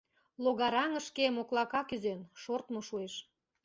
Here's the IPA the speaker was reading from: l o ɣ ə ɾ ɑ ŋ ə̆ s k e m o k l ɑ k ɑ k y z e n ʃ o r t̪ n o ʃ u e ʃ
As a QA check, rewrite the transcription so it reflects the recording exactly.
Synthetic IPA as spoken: l o ɣ ɑ ɾ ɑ ŋ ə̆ ʃ k e m o k l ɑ k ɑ k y z e n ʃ o r t̪ m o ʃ u e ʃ